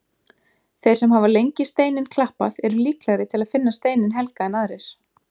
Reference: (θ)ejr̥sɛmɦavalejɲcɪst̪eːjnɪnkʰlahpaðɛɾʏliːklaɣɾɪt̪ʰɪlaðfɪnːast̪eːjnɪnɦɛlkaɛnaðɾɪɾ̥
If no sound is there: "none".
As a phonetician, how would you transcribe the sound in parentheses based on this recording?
θ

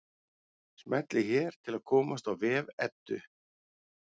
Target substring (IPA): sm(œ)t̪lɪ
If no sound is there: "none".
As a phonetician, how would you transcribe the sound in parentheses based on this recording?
ɛ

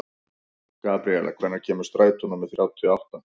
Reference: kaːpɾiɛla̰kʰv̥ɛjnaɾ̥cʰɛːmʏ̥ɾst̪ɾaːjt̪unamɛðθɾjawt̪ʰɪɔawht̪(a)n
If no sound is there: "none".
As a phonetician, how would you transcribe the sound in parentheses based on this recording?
a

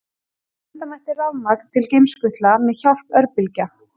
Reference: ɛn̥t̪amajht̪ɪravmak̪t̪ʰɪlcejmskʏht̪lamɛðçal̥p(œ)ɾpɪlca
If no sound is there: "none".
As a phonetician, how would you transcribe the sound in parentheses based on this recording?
œ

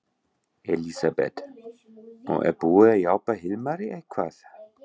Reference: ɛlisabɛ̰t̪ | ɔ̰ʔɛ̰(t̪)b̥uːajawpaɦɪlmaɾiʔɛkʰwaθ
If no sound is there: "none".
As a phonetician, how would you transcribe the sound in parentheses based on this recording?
none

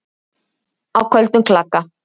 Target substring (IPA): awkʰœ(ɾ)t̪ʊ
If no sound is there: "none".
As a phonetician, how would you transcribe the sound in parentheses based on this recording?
l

